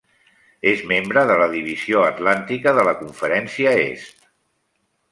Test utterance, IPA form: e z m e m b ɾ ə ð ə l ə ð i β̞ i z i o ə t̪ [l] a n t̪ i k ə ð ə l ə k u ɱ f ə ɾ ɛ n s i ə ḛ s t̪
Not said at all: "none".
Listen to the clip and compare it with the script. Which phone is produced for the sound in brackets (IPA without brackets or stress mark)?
l